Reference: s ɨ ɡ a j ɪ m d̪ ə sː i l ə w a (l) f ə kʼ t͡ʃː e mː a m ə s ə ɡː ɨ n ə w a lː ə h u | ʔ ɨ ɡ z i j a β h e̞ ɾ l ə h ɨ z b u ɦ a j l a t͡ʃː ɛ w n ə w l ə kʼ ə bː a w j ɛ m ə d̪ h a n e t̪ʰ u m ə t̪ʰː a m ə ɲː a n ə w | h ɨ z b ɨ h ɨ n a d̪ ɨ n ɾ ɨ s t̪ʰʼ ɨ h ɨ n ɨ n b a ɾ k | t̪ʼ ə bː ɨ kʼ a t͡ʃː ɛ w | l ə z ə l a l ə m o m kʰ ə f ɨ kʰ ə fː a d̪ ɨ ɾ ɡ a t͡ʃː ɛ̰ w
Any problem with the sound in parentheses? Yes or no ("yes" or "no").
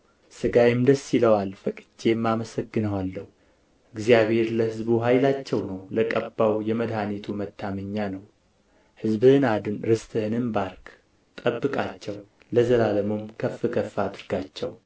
no